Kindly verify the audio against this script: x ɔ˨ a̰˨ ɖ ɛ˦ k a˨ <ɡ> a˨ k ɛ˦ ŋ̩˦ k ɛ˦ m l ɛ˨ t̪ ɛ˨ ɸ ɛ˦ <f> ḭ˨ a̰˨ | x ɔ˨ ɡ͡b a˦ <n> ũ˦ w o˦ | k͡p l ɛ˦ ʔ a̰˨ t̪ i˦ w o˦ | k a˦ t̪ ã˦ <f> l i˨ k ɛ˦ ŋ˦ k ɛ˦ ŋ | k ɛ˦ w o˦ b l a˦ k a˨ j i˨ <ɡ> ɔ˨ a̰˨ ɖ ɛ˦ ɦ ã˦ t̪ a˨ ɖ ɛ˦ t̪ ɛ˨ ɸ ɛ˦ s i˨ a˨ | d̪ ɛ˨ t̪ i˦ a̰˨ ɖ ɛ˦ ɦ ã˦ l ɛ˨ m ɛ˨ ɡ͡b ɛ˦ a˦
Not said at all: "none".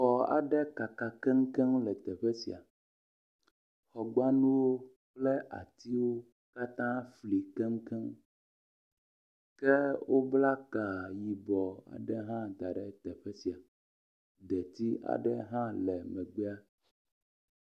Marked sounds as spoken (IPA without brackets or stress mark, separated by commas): k, s, n, f, b